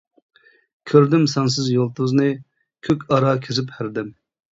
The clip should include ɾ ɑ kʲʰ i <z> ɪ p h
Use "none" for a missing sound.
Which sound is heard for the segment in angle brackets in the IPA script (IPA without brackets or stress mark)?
z